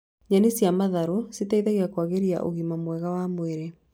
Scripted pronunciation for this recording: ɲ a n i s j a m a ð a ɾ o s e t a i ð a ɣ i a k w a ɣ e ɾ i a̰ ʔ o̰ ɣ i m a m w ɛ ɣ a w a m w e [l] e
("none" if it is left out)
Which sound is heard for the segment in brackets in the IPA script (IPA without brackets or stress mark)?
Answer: ɾ